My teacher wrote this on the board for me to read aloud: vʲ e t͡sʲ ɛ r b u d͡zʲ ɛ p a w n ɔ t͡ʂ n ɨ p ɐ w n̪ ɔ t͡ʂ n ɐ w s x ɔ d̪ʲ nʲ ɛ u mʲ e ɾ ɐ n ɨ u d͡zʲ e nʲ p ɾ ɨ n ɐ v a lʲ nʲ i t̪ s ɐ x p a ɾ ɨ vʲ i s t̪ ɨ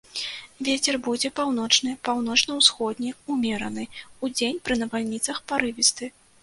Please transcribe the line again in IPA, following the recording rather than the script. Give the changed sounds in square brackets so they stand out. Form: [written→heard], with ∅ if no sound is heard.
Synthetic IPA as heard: vʲ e t͡sʲ ɛ r b u d͡zʲ ɛ p a w n ɔ t͡ʂ n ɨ p [ɐ→a] w n̪ ɔ t͡ʂ n ɐ w s x ɔ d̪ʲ nʲ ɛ u mʲ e ɾ ɐ n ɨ u d͡zʲ e nʲ p ɾ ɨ n ɐ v a lʲ nʲ i t̪ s ɐ x p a ɾ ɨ vʲ i s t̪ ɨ